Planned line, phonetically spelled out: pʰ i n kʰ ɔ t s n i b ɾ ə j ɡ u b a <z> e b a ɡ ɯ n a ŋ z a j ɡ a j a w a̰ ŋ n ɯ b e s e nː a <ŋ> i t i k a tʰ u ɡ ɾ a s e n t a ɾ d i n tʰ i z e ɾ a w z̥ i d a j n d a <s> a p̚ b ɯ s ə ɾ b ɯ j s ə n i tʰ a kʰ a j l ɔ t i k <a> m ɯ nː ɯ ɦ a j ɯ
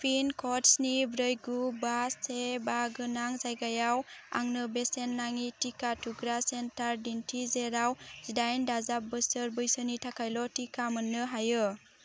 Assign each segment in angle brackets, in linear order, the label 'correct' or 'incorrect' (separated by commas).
incorrect, correct, incorrect, correct